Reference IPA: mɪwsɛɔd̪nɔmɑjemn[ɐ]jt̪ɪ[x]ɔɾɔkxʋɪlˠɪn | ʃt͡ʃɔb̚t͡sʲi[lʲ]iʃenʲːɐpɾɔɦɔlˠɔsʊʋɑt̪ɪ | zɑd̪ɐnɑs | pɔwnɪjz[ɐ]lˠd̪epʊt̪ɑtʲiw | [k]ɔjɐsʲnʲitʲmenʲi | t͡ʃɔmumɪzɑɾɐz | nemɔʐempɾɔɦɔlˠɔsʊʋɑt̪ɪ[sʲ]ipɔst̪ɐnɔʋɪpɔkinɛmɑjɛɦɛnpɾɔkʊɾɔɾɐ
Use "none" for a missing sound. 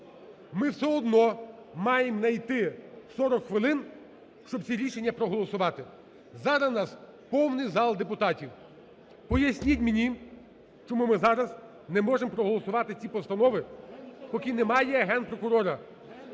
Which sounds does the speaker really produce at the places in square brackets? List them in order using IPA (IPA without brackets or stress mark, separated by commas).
ɐ, s, ɾʲ, ɑ, p, t͡sʲ